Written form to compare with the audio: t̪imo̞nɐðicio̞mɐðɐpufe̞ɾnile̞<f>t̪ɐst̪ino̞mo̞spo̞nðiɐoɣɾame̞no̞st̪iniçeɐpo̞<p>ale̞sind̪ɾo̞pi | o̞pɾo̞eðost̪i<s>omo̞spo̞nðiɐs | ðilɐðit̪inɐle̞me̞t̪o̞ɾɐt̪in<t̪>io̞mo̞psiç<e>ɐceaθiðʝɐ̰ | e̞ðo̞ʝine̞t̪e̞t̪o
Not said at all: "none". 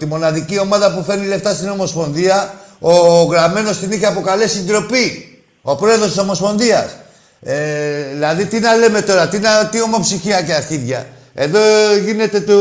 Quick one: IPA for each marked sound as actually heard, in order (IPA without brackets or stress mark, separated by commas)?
f, k, s, t̪, i